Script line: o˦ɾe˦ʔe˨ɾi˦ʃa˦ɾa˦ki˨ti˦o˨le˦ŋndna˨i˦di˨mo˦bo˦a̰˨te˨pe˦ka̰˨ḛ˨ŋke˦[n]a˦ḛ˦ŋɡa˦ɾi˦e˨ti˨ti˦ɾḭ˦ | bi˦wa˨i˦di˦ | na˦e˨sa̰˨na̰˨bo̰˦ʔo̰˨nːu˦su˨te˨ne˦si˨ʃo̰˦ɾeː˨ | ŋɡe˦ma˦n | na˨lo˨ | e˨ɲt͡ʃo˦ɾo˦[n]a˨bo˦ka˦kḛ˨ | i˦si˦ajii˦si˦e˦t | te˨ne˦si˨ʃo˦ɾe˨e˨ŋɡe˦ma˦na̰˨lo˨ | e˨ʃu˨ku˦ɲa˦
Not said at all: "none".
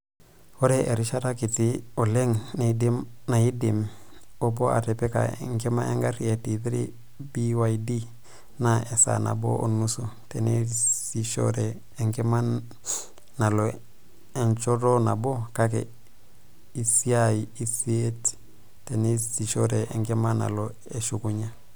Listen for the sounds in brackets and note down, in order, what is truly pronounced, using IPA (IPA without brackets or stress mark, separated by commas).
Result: m, n